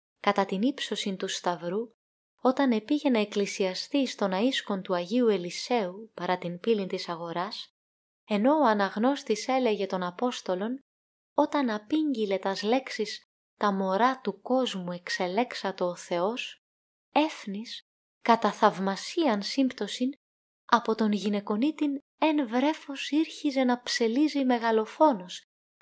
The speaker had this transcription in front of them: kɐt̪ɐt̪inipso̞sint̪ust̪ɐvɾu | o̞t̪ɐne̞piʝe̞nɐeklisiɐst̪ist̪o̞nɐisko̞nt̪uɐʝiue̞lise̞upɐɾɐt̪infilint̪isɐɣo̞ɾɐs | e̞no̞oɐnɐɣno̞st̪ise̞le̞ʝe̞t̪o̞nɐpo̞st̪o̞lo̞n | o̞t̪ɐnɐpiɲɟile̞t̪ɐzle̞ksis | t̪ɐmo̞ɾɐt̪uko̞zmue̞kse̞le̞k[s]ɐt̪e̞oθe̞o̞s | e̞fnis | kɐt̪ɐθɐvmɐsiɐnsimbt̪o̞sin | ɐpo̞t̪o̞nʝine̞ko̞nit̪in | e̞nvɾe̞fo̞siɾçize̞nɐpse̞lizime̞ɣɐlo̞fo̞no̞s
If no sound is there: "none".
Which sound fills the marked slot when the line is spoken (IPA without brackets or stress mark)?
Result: s